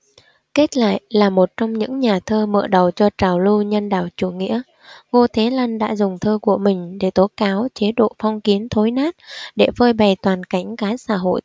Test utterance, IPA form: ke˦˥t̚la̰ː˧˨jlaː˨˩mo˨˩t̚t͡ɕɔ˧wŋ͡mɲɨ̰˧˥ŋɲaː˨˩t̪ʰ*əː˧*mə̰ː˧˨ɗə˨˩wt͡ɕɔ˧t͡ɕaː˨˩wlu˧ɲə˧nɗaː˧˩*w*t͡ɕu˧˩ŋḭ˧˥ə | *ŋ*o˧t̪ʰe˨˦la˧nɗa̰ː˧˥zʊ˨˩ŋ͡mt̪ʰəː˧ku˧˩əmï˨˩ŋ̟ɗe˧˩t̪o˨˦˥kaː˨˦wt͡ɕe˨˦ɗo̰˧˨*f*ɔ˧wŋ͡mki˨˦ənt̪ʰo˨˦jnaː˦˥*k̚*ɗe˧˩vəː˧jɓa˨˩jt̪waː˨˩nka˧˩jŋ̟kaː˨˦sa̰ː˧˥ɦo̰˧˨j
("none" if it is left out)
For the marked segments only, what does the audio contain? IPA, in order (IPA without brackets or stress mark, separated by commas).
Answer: əː˧, w, ŋ, f, t̚